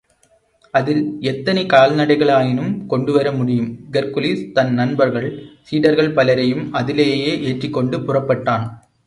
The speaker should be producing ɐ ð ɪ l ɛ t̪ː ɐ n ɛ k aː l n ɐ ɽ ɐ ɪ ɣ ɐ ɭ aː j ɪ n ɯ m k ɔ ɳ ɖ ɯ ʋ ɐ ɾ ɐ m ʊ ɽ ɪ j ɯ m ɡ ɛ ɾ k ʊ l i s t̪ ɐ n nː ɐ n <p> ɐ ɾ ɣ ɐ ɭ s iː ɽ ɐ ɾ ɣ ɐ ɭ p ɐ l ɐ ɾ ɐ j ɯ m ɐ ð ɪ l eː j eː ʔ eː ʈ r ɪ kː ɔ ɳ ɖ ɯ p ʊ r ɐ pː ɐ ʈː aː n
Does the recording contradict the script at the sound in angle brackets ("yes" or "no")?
yes